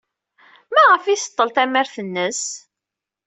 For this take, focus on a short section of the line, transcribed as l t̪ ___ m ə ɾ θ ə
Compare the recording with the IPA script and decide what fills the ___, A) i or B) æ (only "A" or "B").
B